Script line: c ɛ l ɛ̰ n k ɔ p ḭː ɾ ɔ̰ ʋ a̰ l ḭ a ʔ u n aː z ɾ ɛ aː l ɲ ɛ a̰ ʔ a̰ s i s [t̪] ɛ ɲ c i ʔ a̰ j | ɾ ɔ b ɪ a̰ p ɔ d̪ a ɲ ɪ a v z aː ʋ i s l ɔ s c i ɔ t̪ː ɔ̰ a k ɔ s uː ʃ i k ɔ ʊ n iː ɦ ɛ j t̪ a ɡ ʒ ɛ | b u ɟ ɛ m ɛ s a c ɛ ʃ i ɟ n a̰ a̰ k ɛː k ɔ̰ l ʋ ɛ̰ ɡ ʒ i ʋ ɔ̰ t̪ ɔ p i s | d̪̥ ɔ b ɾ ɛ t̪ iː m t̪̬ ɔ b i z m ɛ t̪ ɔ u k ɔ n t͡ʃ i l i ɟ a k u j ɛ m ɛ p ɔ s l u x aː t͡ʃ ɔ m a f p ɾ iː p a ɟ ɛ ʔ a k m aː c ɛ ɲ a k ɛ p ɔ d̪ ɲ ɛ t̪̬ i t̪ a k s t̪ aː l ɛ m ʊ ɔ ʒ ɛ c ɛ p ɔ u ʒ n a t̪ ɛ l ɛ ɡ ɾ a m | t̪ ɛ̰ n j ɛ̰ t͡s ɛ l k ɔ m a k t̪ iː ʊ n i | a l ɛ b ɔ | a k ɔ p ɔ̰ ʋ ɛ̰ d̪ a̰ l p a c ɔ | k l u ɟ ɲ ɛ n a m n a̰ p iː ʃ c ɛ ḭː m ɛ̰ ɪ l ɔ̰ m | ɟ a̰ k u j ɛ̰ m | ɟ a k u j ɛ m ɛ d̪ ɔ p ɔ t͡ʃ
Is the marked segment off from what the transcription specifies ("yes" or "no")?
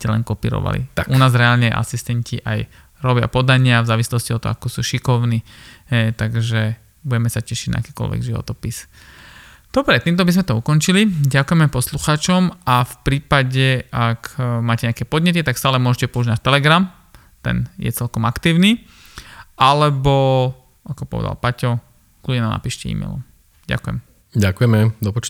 no